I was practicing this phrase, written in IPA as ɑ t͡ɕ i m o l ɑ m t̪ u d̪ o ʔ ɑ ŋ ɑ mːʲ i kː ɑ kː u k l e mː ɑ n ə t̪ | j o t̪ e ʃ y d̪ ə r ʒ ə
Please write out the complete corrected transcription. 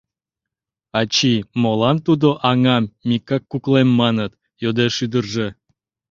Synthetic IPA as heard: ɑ t͡ɕ i m o l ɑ m t̪ u d̪ o ʔ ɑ ŋ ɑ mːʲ i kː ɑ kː u k l e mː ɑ n ə t̪ | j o d̪ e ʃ y d̪ ə r ʒ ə